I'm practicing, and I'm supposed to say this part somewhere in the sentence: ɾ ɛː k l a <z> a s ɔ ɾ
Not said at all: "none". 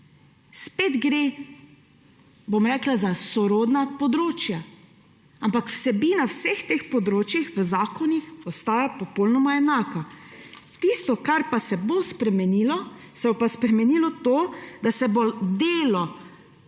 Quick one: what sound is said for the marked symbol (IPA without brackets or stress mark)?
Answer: z